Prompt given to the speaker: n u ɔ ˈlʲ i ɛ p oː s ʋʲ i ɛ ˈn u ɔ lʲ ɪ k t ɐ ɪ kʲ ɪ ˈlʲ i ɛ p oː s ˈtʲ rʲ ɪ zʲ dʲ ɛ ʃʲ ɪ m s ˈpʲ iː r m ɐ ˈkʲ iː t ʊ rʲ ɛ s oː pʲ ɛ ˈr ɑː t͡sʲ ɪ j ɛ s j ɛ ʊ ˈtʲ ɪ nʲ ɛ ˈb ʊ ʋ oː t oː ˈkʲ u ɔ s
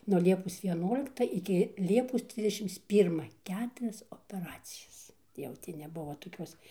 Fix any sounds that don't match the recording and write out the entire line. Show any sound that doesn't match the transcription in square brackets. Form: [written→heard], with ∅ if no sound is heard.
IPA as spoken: n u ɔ ˈlʲ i ɛ p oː s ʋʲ i ɛ ˈn u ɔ lʲ ɪ k t ɐ ɪ kʲ ɪ ˈlʲ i ɛ p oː s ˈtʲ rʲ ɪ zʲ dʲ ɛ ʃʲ ɪ m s ˈpʲ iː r m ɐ ˈkʲ [iː→æː] t ʊ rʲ ɛ s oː pʲ ɛ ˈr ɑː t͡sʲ ɪ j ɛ s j ɛ ʊ ˈtʲ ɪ nʲ ɛ ˈb ʊ ʋ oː t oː ˈkʲ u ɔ s